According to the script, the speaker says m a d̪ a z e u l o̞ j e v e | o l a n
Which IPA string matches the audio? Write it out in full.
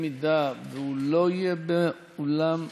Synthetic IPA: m i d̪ a v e u l o̞ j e b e | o l a m

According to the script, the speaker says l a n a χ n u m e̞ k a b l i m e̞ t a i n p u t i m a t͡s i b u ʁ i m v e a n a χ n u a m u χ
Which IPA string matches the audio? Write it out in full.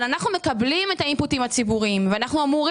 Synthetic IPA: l a n a χ n u m e̞ k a b l i m e̞ t a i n p u t i m a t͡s i b u ʁ i m v e a n a χ n u a m u ʁ

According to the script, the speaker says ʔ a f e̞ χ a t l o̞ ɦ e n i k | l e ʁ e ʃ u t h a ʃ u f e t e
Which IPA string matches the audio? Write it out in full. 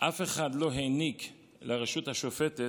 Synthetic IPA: ʔ a f e̞ χ a d l o̞ ɦ e n i k | l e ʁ e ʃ u t h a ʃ o f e t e

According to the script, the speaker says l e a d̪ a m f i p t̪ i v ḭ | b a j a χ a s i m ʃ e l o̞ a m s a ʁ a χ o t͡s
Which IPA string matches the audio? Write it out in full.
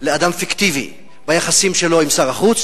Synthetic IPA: l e a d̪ a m f i k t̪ i v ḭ | b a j a χ a s i m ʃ e l o̞ i m s a ʁ a χ u t͡s

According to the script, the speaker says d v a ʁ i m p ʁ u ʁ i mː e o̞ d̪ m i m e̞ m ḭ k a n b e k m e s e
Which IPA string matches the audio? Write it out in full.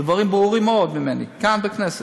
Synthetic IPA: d v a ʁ i m b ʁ u ʁ i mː e o̞ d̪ m i m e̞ n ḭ k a n b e k n e s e

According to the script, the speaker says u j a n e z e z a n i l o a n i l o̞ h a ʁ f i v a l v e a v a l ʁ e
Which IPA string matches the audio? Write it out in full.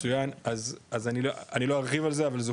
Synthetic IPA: u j a n a z a z a n i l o a n i l o̞ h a ʁ χ i v a l z e a v a l z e

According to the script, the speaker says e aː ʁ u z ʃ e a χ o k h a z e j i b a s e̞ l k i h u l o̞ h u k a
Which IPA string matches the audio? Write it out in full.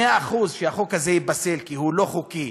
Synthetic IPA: e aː χ u z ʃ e a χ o k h a z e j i b a s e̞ l k i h u l o̞ χ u k i

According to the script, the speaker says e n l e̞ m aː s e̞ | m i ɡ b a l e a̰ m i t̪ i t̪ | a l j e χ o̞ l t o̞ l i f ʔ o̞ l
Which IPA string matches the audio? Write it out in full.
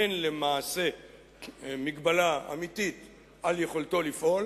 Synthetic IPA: e n l e̞ m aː s e̞ | m i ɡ b a l a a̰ m i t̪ i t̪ | a l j e χ o̞ l t o̞ l i f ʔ o̞ l

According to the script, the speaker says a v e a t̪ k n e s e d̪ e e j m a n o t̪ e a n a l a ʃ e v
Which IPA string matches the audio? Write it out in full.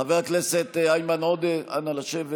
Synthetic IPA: a v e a k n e s e t̪ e a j m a n o d̪ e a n a l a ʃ e v

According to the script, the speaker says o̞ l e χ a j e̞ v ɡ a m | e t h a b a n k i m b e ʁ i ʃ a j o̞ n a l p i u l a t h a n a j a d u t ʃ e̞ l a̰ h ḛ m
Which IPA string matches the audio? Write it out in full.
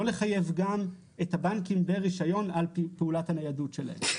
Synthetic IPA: o̞ l e χ a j e̞ v ɡ a m | e t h a b a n k i m b e ʁ i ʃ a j o̞ n a l p e u l a t h a n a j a d u t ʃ e̞ l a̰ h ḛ m

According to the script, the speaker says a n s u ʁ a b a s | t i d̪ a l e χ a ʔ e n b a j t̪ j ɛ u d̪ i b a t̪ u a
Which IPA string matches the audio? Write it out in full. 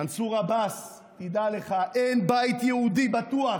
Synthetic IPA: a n s u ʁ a b a s | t i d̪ a l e χ a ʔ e n b a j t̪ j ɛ u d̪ i b a t̪ u a

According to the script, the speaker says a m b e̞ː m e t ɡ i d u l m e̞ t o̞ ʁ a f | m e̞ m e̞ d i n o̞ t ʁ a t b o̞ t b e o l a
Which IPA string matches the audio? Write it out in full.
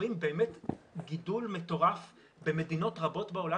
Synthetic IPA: i m b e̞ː m e t ɡ i d u l m e̞ t o̞ ʁ a f | b e̞ m e̞ d i n o̞ t ʁ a b o̞ t b e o l a

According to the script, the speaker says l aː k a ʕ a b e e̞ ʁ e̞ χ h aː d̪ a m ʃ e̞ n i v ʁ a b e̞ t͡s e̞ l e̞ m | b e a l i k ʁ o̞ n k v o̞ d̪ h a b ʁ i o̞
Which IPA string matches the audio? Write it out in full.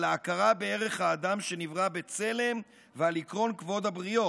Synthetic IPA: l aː k a ʁ a b e e̞ ʁ e̞ χ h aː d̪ a m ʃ e̞ n i v ʁ a b e̞ t͡s e̞ l e̞ m | v e a l i k ʁ o̞ n k v o̞ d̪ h a b ʁ i o̞

